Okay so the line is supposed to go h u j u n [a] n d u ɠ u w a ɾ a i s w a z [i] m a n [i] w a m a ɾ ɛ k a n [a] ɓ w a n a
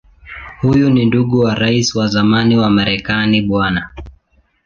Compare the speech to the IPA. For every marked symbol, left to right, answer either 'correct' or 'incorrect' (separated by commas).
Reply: incorrect, incorrect, correct, incorrect